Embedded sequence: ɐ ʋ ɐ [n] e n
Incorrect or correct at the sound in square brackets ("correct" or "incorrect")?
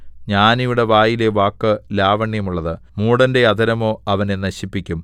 correct